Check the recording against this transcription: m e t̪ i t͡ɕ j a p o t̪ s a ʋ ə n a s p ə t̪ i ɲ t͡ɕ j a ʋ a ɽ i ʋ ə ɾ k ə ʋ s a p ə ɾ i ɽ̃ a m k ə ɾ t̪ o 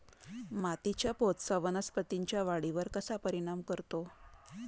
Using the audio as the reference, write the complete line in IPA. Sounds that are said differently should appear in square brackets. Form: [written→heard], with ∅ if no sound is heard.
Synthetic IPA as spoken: m [e→a] t̪ i t͡ɕ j a p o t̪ s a ʋ ə n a s p ə t̪ i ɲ t͡ɕ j a ʋ a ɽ i ʋ ə ɾ k ə [ʋ→∅] s a p ə ɾ i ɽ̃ a m k ə ɾ t̪ o